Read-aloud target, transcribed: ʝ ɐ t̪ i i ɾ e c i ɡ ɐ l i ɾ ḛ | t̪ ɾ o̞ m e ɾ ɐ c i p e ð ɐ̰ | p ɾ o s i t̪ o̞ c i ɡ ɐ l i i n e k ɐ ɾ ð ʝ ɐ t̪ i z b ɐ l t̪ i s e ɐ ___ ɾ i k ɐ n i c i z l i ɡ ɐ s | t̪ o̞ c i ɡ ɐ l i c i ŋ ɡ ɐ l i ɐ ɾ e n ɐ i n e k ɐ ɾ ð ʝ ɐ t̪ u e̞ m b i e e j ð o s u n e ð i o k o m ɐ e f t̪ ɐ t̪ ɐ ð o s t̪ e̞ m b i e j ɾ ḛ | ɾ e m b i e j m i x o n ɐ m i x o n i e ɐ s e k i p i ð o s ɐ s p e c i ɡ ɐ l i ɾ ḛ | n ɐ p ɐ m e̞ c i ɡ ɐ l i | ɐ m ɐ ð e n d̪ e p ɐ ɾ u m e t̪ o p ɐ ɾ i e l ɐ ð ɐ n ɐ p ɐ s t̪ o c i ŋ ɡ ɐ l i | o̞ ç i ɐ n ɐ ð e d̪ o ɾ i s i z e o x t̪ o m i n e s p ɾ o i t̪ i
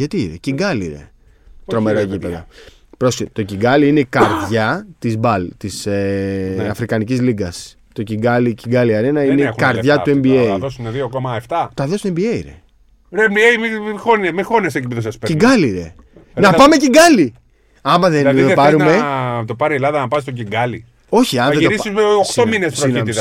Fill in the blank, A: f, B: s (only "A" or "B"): A